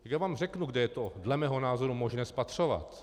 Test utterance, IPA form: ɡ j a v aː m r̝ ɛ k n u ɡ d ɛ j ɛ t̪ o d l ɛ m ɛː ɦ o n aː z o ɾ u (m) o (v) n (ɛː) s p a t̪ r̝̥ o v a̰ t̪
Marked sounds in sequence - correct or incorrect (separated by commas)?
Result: correct, incorrect, correct